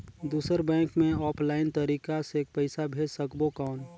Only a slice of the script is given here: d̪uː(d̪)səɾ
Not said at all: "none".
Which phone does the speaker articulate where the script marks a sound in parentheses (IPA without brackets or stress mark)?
none